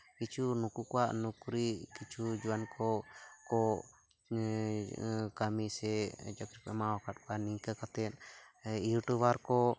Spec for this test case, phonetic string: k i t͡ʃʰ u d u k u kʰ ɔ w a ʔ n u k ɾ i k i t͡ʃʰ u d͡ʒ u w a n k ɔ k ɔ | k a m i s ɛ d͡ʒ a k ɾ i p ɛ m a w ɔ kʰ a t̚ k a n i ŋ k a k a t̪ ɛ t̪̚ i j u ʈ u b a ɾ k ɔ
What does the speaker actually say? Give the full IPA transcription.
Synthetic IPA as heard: k i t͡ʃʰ u n u k u k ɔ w a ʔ n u k ɾ i k i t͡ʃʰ u d͡ʒ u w a n k ɔ k ɔ | k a m i s ɛ d͡ʒ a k ɾ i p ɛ m a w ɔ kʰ a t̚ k a n i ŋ k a k a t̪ ɛ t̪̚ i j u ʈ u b a ɾ k ɔ